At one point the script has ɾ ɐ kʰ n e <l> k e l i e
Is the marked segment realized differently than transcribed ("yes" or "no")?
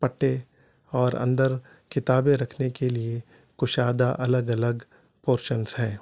yes